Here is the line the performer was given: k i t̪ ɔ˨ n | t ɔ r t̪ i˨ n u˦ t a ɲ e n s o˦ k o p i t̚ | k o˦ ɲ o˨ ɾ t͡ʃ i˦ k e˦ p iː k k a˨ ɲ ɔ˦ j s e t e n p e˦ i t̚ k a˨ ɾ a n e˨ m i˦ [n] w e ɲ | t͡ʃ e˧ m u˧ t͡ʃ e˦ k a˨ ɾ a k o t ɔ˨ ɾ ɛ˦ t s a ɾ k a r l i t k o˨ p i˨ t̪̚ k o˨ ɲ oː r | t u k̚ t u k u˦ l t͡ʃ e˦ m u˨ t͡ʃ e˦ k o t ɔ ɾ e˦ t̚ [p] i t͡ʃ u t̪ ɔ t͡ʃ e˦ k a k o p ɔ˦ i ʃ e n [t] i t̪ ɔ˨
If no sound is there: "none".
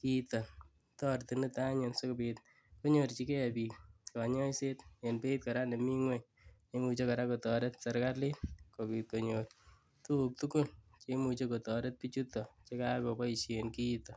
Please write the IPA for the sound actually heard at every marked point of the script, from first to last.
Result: ŋ, p, k

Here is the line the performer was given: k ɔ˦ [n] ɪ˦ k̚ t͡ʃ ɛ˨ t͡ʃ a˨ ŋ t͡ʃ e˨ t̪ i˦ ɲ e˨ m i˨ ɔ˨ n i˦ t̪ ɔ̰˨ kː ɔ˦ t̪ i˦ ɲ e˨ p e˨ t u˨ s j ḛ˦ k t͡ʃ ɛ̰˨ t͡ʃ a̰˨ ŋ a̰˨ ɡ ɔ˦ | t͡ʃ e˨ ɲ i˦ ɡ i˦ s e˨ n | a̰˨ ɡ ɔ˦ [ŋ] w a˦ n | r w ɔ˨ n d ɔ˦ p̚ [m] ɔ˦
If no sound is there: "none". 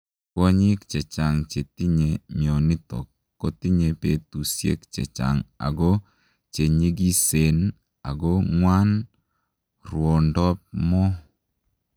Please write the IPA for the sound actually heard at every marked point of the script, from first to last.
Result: ɲ, ŋ, m

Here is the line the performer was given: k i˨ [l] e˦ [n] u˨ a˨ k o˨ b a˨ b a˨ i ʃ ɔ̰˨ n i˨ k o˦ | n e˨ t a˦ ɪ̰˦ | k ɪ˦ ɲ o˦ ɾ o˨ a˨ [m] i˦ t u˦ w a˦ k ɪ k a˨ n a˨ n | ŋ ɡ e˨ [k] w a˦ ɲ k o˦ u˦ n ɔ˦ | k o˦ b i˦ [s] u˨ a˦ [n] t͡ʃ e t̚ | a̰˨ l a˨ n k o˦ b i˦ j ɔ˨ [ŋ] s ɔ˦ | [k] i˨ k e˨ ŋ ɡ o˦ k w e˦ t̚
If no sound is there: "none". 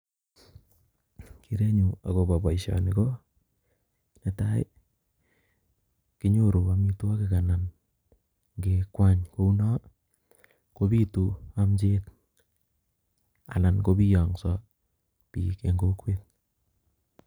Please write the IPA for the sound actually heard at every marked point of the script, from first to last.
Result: ɾ, ɲ, m, k, t, m, ŋ, p

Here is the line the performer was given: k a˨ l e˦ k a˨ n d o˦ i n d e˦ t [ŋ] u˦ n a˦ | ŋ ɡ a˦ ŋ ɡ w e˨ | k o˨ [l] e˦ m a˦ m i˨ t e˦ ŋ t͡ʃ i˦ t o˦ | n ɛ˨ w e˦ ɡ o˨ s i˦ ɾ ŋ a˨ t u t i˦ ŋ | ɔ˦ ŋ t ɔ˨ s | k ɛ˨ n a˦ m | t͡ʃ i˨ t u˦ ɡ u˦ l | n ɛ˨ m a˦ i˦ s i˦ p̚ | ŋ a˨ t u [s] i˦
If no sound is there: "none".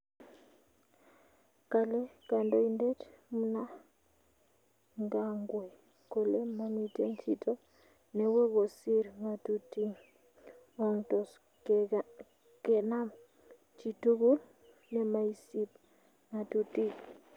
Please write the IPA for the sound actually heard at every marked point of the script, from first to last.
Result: m, l, t

